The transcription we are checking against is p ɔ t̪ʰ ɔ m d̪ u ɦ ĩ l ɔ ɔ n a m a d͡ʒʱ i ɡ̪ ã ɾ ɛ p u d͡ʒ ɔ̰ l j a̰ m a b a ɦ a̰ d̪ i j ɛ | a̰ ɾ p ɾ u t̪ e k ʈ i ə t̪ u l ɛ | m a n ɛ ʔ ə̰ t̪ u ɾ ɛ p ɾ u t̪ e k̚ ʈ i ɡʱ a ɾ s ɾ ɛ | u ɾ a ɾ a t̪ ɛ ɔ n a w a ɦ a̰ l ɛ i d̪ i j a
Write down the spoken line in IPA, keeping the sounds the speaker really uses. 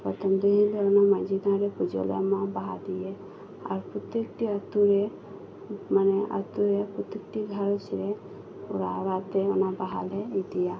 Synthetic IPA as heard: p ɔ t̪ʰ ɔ m d̪ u ɦ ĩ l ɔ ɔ n a m a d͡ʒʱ i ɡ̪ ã ɾ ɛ p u d͡ʒ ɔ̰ l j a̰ m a b a ɦ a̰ d̪ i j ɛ | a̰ ɾ p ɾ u t̪ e k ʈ i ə t̪ u ɾ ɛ | m a n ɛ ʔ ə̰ t̪ u ɾ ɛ p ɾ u t̪ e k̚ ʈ i ɡʱ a ɾ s ɾ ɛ | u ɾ a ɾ a t̪ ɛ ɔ n a b a ɦ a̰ l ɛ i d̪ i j a